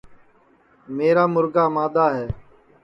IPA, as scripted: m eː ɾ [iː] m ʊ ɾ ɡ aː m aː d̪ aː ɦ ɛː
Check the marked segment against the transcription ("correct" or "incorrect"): incorrect